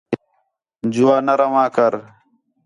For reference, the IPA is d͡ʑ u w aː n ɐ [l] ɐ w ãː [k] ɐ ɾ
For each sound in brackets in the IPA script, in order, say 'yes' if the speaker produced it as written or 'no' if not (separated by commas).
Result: no, yes